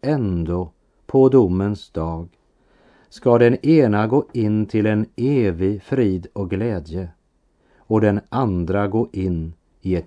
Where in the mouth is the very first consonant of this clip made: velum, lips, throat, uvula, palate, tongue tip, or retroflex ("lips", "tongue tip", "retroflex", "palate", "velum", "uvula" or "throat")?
tongue tip